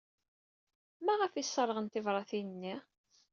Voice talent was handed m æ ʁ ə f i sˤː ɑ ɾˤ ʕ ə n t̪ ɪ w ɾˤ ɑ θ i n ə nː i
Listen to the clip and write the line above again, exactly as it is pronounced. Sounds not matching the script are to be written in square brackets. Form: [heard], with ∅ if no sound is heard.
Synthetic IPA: m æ ʁ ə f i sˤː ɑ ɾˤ [ʁ] ə n t̪ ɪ [v] ɾˤ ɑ θ i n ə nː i

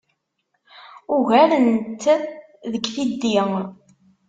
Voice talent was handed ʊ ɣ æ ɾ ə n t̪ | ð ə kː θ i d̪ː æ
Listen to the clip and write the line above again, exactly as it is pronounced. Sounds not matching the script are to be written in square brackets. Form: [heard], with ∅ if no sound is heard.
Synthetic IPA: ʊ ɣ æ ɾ ə n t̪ | ð ə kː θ i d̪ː [i]

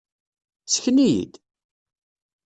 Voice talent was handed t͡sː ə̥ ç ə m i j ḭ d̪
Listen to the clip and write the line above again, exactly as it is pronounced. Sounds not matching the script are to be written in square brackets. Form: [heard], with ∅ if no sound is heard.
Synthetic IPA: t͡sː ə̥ ç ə [n] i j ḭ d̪

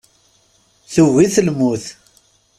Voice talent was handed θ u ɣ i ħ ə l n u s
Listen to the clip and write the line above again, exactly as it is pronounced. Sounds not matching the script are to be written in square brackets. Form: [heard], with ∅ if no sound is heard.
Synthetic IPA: θ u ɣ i [θ] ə l [m] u [θ]

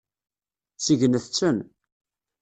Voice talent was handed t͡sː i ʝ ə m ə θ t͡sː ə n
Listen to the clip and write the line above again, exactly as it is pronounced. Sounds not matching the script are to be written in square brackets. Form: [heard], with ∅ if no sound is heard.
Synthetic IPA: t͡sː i ʝ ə [n] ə θ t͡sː ə n

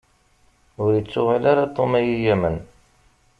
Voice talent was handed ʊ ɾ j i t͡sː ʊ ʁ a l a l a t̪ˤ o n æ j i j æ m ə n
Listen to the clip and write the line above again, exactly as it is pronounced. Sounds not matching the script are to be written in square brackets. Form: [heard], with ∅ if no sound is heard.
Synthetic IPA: ʊ ɾ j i t͡sː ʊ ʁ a l a [ɾ] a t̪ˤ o [m] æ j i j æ m ə n

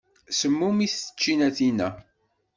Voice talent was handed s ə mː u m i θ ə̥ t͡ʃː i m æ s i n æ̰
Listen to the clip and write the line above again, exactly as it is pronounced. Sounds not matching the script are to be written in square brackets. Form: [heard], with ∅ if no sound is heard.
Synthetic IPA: s ə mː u m i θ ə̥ t͡ʃː i [n] æ [θ] i n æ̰

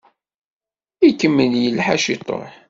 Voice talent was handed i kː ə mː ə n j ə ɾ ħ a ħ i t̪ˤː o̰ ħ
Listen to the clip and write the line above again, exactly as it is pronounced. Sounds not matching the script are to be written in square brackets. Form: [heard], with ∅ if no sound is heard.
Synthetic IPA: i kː ə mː ə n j ə [l] ħ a [ʃ] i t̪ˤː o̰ ħ

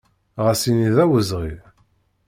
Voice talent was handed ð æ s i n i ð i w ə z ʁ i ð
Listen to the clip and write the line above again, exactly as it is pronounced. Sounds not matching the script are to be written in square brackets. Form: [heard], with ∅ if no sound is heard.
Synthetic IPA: [ʁ] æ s i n i ð [æ] w ə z ʁ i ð

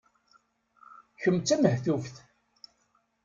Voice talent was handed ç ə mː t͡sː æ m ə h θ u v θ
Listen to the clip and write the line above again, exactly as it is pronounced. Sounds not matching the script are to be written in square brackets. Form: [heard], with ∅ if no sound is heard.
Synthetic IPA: ç ə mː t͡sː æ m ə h θ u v θ

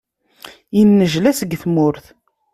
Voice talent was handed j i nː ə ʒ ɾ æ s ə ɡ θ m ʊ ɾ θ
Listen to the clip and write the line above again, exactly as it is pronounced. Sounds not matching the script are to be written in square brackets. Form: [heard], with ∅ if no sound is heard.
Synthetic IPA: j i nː ə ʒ [l] æ s ə ɡ θ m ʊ ɾ θ

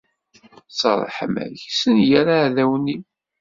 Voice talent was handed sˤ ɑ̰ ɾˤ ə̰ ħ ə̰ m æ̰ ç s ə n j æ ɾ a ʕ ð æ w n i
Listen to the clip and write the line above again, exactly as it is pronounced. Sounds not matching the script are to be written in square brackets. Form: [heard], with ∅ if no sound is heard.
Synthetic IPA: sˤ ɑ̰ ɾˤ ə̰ ħ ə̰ m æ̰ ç s ə n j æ ɾ a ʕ ð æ w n i

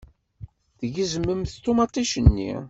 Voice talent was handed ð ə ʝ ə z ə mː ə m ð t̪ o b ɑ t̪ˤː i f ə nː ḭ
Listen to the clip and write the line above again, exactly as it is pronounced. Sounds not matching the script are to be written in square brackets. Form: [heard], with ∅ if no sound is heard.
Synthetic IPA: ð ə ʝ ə z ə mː ə m [θ] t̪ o [m] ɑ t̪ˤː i [ʃ] ə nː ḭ

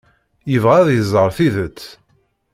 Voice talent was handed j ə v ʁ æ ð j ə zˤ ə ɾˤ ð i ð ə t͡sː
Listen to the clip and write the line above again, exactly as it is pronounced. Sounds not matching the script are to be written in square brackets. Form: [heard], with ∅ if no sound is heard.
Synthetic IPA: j ə v ʁ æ ð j ə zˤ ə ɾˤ [θ] i ð ə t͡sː

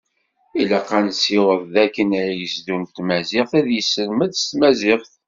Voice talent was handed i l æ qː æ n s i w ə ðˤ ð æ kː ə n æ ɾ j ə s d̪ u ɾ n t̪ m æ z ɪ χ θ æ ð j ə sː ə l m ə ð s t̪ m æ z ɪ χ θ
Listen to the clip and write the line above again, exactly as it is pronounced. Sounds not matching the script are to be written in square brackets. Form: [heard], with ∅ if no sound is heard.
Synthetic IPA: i l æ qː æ n s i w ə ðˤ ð æ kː ə n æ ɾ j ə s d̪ u [∅] n t̪ m æ z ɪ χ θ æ ð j ə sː ə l m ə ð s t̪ m æ z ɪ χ θ

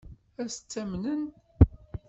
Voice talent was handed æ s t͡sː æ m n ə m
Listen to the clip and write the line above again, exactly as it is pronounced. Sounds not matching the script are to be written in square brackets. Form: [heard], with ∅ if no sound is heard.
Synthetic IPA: æ s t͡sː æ m n ə [n]

